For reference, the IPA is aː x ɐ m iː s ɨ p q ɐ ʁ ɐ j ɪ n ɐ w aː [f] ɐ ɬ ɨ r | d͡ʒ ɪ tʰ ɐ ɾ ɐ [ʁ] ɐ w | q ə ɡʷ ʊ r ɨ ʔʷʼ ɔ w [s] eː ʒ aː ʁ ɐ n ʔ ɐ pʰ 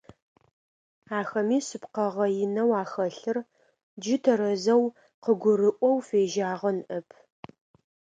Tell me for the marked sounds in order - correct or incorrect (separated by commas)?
incorrect, incorrect, incorrect